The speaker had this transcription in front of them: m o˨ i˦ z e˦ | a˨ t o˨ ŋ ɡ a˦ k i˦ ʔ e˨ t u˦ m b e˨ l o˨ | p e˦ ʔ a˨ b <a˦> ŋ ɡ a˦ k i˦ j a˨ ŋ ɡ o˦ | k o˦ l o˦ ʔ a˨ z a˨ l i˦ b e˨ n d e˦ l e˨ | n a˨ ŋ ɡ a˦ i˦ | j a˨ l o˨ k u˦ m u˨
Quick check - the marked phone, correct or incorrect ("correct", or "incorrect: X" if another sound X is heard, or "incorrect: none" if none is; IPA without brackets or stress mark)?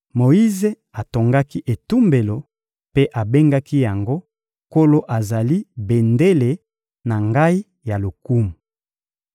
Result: incorrect: e˦